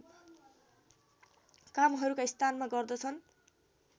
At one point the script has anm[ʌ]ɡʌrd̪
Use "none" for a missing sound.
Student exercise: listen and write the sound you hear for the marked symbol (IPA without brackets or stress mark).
a